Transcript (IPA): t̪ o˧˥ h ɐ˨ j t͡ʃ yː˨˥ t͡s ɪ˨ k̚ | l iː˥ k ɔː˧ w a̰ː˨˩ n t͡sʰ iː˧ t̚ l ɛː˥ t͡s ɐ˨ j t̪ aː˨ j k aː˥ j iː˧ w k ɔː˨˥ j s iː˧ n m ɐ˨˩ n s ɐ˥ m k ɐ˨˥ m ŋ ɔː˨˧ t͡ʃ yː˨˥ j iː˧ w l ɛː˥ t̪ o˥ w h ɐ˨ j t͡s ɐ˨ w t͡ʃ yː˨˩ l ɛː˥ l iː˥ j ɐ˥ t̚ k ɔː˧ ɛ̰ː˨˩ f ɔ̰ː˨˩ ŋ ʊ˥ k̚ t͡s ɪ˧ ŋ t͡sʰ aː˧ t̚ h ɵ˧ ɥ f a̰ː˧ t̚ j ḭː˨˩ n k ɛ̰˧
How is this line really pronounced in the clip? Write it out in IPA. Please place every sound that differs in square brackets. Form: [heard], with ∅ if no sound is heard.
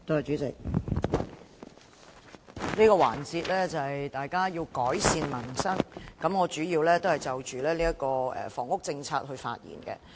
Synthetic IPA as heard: t̪ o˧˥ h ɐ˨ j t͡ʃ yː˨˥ t͡s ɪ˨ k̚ | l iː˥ k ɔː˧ w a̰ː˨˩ n [t͡s] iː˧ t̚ l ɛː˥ t͡s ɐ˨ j t̪ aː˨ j k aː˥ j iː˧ w k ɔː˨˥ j s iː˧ n m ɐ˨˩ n s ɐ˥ [ŋ] k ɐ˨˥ m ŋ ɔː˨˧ t͡ʃ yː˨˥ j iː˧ w l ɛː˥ t̪ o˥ w h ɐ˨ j t͡s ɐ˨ w t͡ʃ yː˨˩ l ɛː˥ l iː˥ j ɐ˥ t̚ k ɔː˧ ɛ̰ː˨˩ f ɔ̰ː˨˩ ŋ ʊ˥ k̚ t͡s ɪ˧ ŋ t͡sʰ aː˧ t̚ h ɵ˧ ɥ f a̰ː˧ t̚ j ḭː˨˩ n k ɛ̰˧